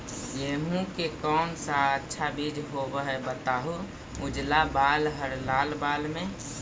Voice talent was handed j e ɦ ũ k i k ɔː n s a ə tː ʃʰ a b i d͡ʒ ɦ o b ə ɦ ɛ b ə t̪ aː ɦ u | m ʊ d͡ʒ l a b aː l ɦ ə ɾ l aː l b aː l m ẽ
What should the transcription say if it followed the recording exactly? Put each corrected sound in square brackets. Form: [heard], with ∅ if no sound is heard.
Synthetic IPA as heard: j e ɦ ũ k [e] k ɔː n s a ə tː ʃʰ a b i d͡ʒ ɦ o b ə ɦ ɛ b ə t̪ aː ɦ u | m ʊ d͡ʒ l a b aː l ɦ ə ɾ l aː l b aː l m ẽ